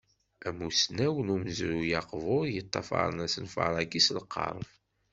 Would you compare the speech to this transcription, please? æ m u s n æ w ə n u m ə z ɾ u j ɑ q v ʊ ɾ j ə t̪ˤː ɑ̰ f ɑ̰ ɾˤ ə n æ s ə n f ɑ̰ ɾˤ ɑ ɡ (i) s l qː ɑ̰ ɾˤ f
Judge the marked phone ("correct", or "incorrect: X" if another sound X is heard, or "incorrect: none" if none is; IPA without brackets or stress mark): correct